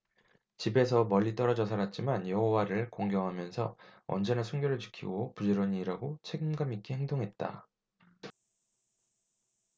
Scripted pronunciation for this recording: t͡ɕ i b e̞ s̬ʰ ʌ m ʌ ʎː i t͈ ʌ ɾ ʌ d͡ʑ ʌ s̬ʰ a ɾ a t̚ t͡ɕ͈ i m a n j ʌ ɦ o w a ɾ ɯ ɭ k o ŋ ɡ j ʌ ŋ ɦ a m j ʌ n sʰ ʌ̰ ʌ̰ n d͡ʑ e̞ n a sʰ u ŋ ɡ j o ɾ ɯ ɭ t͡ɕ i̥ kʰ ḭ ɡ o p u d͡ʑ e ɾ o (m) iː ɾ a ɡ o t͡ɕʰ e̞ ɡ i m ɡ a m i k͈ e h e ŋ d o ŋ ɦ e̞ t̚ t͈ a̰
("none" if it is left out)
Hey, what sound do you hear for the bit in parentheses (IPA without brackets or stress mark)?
ɲ